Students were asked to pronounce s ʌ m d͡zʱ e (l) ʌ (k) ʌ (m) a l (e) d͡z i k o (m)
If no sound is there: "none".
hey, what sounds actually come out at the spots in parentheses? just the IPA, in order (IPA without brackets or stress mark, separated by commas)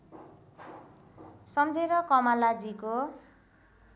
ɾ, k, m, a, none